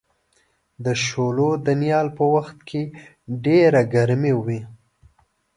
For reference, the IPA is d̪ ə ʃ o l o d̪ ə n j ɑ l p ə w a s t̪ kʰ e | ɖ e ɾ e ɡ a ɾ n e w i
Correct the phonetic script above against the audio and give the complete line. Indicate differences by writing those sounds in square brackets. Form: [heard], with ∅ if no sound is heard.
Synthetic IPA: d̪ ə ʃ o l o d̪ ə n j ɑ l p ə w a [x] t̪ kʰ e | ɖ e ɾ [a] ɡ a ɾ [m] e w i